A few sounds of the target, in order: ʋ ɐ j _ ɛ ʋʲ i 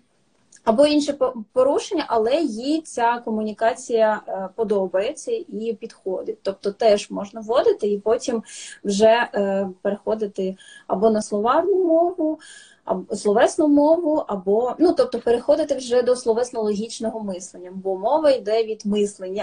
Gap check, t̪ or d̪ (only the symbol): d̪